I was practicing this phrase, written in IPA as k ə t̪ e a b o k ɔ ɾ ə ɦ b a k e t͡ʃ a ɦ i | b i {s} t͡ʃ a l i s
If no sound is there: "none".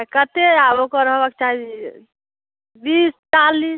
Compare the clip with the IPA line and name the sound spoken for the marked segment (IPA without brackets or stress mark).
s